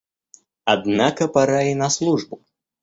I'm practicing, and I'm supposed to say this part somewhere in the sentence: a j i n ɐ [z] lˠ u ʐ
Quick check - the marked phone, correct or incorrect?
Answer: incorrect